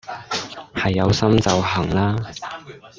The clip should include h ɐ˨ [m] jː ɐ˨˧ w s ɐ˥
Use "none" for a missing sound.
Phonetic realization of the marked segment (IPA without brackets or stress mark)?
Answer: none